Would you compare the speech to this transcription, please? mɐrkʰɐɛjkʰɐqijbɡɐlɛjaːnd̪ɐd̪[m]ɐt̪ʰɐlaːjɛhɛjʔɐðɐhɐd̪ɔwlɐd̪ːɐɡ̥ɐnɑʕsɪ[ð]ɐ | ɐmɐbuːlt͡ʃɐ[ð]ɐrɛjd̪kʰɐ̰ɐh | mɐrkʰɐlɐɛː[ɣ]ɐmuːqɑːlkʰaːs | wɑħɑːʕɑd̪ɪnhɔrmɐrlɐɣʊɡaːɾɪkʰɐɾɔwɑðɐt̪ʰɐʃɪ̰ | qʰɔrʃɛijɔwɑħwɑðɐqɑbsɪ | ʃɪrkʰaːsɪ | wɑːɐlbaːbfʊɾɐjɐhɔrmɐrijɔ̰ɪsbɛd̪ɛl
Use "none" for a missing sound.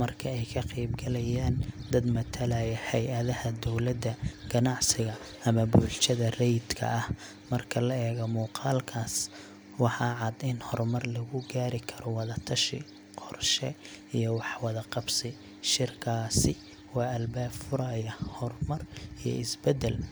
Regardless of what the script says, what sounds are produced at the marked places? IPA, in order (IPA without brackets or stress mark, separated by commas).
m, ɣ, ð, ɣ